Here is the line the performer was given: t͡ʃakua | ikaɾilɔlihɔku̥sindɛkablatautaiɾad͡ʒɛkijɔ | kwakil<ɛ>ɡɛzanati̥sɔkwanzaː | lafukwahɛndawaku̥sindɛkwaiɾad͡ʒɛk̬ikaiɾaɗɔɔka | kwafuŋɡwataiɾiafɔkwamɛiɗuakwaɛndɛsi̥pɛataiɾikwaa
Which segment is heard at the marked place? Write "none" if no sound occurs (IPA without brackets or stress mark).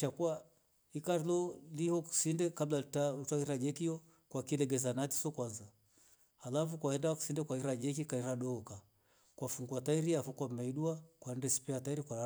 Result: ɛ